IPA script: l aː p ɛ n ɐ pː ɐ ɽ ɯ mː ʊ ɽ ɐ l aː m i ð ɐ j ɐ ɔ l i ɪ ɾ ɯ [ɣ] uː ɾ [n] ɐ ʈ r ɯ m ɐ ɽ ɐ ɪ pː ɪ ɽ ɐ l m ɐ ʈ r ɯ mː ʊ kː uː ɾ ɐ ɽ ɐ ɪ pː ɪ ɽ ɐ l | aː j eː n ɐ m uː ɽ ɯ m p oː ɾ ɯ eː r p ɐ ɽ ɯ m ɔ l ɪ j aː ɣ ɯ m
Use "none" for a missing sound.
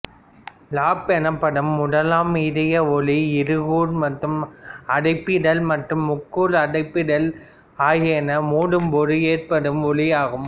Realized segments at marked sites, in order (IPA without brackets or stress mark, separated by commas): ɣ, m